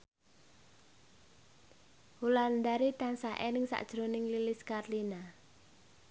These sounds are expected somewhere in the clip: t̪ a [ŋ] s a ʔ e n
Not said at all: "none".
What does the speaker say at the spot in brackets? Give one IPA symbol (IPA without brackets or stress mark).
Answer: n